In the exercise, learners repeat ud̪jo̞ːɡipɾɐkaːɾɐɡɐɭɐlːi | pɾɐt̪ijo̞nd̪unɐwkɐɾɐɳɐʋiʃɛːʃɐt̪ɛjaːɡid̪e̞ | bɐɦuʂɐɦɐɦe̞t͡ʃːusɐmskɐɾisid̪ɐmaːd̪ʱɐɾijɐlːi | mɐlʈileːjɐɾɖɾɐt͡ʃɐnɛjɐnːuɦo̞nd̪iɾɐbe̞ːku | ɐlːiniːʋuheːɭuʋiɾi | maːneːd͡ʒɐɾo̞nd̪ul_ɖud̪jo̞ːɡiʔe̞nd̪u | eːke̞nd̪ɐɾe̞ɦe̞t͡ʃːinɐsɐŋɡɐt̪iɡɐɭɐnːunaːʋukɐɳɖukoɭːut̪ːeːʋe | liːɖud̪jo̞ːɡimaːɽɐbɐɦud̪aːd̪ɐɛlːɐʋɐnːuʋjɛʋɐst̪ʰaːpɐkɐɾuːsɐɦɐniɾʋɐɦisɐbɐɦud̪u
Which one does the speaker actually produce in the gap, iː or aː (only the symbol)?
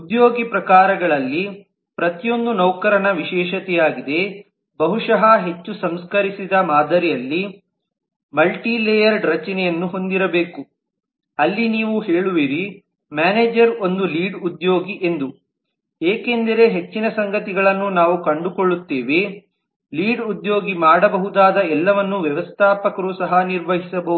iː